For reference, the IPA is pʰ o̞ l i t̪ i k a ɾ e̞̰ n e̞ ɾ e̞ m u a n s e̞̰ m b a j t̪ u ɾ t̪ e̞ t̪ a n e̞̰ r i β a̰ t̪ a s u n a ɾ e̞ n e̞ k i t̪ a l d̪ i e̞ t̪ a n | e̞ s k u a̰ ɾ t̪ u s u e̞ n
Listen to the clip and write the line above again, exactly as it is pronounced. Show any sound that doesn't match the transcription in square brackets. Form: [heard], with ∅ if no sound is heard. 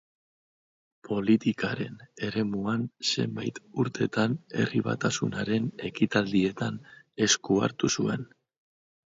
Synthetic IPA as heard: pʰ o̞ l i t̪ i k a ɾ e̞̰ n e̞ ɾ e̞ m u a n s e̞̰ m b a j t̪ u ɾ t̪ e̞ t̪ a n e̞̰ r i β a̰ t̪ a s u n a ɾ e̞ n e̞ k i t̪ a l d̪ i e̞ t̪ a n | e̞ s k u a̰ ɾ t̪ u s u e̞ n